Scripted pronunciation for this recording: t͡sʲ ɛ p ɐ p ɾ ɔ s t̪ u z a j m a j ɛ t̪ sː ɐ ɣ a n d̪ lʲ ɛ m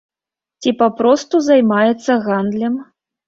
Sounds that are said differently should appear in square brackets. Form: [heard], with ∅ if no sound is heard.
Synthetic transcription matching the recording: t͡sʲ [i] p [a] p ɾ ɔ s t̪ u z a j m a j ɛ t̪ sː ɐ ɣ a n d̪ lʲ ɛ m